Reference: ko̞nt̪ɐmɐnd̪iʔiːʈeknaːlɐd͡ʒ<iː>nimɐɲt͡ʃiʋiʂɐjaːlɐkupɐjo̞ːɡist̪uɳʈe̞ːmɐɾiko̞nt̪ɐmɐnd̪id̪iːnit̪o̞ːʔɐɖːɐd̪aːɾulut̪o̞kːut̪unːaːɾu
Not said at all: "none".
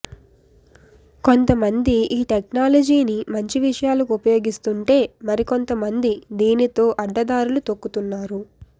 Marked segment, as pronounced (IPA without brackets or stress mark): iː